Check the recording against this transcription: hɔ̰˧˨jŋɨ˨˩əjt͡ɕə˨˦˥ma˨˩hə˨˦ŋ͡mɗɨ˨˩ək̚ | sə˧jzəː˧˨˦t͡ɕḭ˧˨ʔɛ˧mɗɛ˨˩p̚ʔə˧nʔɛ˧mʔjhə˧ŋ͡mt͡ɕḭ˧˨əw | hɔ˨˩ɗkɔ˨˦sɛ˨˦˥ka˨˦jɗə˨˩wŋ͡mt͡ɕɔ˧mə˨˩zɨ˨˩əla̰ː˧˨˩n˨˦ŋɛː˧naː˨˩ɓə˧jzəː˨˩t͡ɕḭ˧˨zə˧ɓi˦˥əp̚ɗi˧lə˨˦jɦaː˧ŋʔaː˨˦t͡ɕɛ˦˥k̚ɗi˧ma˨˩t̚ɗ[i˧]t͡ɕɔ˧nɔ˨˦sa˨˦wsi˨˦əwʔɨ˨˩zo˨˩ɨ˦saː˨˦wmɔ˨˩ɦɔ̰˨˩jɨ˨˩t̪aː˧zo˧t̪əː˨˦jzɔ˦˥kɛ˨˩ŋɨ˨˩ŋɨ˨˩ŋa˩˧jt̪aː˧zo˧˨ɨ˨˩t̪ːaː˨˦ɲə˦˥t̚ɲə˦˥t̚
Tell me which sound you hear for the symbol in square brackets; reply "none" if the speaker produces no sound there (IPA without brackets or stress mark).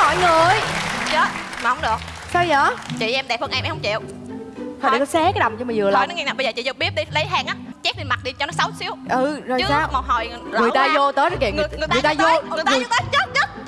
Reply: i˧